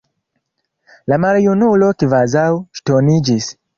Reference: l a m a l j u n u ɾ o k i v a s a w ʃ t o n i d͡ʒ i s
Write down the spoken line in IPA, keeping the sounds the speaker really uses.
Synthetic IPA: l a m a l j u n u l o k i v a z a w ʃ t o n i d͡ʒ i s